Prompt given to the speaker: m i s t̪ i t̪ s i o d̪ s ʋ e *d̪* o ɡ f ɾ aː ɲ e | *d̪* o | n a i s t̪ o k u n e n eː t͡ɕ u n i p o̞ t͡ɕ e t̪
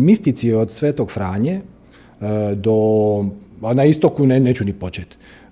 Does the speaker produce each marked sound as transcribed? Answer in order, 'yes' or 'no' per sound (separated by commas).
no, yes